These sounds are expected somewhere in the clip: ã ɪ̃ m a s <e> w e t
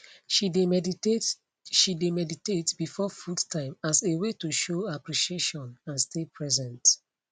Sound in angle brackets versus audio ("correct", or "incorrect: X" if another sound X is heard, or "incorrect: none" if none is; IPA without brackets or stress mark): correct